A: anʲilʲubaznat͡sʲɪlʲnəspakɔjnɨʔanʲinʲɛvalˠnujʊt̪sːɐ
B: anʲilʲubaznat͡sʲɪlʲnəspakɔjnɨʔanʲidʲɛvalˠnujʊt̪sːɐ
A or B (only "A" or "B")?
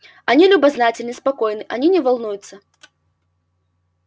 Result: A